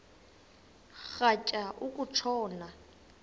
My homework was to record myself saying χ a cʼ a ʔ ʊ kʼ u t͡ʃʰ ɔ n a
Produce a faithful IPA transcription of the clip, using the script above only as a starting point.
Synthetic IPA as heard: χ a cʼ a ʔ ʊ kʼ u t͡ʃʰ ɔː n a